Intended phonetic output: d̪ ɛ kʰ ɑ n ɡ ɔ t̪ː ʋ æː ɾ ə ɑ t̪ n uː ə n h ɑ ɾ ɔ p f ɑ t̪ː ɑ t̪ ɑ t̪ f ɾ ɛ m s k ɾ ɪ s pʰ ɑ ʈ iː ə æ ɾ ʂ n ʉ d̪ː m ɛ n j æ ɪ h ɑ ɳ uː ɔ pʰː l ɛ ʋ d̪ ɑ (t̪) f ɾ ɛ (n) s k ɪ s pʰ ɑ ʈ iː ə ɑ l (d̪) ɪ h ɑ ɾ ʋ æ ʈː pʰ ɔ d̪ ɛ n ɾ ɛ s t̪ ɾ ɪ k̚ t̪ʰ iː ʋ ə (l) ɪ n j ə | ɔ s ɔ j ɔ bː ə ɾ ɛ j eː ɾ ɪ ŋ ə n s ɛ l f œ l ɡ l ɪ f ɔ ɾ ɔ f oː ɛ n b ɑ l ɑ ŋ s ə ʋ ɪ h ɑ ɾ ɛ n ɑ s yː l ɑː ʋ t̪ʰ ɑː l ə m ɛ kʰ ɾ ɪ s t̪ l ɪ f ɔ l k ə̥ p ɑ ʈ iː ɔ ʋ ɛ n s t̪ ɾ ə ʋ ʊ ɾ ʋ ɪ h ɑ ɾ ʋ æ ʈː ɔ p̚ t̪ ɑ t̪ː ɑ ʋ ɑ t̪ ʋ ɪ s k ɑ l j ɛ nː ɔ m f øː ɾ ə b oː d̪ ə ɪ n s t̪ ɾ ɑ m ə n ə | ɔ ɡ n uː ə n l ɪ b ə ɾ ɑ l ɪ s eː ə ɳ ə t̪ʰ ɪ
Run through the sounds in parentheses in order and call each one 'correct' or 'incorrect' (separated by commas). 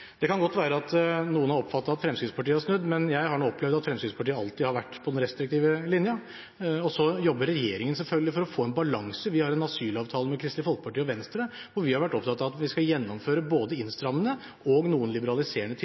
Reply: correct, incorrect, incorrect, correct